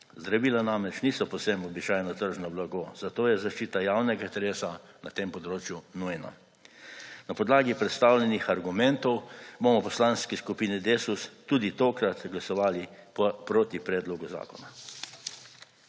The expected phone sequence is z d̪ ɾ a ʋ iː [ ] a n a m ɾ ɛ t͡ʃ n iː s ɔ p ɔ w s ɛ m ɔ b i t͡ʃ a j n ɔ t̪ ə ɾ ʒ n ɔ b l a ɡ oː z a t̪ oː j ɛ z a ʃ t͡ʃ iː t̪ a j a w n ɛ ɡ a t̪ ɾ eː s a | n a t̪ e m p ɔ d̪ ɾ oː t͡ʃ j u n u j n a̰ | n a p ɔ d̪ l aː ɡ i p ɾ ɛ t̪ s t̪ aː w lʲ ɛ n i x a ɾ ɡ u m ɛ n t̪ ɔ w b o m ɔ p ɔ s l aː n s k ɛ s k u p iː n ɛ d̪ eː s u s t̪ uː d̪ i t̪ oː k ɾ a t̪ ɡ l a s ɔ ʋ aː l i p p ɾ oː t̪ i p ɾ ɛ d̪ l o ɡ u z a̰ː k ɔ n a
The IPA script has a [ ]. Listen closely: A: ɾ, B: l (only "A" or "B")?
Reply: B